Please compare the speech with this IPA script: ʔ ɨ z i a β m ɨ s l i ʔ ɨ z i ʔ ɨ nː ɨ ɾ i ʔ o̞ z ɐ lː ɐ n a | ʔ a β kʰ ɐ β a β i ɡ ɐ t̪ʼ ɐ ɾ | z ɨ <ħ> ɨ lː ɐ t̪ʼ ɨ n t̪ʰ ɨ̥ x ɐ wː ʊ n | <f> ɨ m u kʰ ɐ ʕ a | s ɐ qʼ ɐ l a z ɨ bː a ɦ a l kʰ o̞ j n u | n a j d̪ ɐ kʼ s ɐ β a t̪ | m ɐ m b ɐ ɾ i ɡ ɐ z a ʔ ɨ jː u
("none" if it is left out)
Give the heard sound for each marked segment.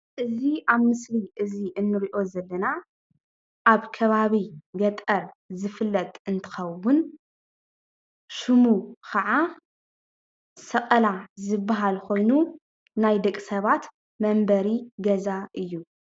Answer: f, ʃ

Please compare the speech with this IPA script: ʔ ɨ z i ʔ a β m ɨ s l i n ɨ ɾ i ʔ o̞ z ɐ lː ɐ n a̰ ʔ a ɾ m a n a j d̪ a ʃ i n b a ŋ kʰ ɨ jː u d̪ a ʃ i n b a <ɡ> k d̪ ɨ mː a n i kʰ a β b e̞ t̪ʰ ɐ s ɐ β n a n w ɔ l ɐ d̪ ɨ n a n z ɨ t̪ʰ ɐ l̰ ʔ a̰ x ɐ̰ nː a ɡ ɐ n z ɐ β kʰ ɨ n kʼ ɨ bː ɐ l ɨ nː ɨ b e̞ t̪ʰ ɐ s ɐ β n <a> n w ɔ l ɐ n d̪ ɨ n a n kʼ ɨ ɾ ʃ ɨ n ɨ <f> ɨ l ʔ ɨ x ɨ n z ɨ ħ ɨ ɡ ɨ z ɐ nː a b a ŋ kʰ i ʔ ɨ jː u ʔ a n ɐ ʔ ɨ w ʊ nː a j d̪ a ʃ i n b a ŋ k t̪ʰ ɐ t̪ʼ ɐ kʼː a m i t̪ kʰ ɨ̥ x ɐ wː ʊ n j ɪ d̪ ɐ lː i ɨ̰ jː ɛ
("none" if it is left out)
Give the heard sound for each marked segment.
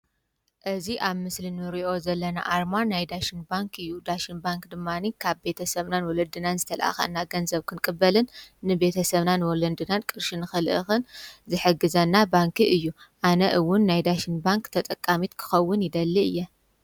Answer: ŋ, a, x

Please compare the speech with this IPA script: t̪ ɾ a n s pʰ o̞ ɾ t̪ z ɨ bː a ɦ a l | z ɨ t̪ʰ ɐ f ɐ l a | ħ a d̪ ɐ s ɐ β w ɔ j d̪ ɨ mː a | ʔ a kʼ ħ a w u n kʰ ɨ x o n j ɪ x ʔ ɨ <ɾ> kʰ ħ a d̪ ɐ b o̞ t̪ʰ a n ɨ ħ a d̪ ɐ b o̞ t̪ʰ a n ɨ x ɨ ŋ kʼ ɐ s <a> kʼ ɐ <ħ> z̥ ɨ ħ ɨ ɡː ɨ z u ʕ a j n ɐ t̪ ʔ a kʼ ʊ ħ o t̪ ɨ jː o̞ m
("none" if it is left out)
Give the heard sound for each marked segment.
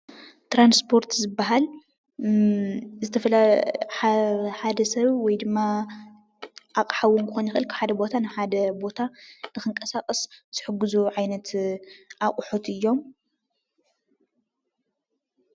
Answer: l, a, s

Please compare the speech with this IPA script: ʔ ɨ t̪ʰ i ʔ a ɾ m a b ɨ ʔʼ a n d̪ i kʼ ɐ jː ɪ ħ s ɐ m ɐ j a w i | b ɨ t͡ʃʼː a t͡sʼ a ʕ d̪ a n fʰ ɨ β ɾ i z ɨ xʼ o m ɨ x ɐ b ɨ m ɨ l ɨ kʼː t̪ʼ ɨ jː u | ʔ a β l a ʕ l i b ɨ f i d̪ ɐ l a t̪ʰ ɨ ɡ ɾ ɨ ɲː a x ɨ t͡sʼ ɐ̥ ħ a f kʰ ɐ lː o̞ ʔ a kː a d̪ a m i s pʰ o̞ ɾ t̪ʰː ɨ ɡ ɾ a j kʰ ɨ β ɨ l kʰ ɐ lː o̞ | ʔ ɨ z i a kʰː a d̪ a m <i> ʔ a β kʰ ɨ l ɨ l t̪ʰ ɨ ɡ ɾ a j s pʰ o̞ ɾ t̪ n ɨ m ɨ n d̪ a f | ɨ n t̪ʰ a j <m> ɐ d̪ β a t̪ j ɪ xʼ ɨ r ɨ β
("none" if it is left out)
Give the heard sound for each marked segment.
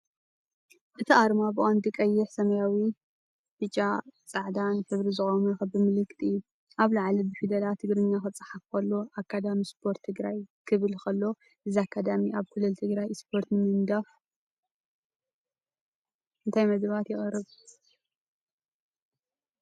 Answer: i, m

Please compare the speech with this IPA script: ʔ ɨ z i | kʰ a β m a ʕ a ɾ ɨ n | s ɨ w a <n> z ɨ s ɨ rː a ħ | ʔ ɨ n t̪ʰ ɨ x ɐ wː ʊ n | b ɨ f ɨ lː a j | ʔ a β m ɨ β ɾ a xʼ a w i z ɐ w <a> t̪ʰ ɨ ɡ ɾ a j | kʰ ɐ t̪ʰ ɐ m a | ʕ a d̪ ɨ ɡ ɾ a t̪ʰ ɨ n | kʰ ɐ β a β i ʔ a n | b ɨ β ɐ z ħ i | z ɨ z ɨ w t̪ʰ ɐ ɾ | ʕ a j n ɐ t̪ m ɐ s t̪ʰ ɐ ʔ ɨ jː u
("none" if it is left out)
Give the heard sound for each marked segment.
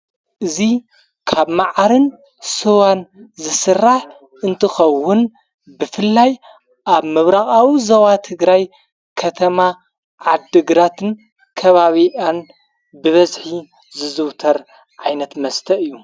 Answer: n, a

